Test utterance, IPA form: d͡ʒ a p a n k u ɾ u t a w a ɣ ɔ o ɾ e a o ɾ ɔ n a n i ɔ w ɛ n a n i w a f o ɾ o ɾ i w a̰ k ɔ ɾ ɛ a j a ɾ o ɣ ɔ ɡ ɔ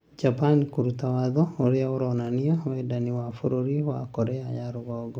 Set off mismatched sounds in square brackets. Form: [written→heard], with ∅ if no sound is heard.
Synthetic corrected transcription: d͡ʒ a p a n k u ɾ u t a w a [ɣ→ð] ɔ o ɾ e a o ɾ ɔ n a n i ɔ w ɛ [n→d] a n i w a f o ɾ o ɾ i w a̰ k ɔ ɾ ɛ a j a ɾ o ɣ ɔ ɡ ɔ